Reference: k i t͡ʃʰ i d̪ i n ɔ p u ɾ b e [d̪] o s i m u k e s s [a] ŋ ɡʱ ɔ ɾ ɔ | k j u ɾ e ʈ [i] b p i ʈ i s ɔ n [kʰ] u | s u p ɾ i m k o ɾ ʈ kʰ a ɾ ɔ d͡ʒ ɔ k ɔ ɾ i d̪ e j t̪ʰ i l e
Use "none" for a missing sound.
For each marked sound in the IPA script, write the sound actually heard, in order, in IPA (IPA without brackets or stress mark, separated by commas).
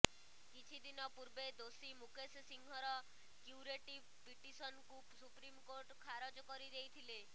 d̪, i, i, k